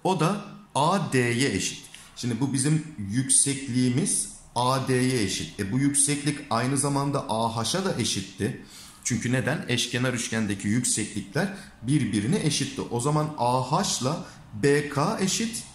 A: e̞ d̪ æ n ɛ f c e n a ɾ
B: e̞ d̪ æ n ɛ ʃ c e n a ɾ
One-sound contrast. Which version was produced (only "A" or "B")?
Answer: B